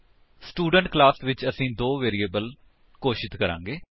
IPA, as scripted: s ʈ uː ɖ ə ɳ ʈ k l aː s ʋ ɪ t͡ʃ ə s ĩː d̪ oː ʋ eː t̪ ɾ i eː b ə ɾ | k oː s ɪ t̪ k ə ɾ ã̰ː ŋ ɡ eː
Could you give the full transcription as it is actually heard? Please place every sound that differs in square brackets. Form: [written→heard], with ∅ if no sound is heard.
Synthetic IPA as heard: s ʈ uː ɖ ə ɳ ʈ k l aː s ʋ ɪ t͡ʃ ə s ĩː d̪ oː ʋ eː [t̪→∅] ɾ i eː b ə [ɾ→l] | k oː [s→ʃ] ɪ t̪ k ə ɾ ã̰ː ŋ ɡ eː